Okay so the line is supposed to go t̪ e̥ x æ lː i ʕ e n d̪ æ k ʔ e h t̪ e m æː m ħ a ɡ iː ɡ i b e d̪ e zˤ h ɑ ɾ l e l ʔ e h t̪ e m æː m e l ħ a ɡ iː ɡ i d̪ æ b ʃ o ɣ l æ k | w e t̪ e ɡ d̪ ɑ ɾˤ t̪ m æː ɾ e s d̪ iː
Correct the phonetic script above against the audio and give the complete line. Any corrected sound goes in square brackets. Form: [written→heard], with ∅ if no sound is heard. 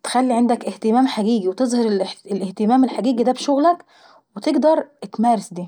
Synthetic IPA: t̪ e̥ x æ lː i ʕ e n d̪ æ k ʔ e h t̪ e m æː m ħ a ɡ iː ɡ i [b→w] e [d̪→t̪] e zˤ h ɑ ɾ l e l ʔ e h t̪ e m æː m e l ħ a ɡ iː ɡ i d̪ æ b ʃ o ɣ l æ k | w e t̪ e ɡ d̪ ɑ ɾˤ t̪ m æː ɾ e s d̪ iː